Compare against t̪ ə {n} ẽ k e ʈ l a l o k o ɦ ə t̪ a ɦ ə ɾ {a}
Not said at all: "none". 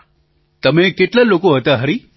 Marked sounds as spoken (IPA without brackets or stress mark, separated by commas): m, i